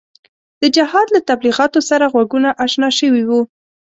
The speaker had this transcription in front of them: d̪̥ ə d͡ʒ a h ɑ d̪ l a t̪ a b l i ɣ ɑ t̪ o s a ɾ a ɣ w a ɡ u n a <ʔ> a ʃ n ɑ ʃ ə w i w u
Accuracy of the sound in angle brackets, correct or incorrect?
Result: correct